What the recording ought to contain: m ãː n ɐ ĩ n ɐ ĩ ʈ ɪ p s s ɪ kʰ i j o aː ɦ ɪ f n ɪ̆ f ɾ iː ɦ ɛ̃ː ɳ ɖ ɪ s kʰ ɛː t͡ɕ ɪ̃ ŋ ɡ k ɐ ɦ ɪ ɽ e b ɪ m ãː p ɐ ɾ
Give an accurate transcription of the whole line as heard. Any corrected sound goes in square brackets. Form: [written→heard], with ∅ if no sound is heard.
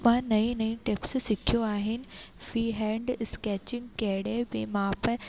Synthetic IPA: m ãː n ɐ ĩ n ɐ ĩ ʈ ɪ p s s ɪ kʰ i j o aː ɦ ɪ [f→∅] n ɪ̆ f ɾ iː ɦ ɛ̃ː ɳ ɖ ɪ s [kʰ→k] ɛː t͡ɕ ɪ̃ ŋ ɡ k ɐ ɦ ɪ ɽ e b ɪ m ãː p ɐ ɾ